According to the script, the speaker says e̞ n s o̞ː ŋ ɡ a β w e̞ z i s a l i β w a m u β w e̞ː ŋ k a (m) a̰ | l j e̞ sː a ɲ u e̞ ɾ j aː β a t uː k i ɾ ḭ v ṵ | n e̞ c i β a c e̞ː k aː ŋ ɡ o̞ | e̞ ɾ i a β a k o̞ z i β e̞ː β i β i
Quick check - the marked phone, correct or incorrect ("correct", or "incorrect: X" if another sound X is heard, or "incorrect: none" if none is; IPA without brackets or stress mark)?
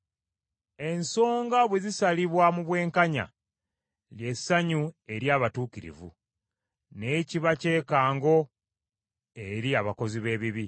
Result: incorrect: ɲ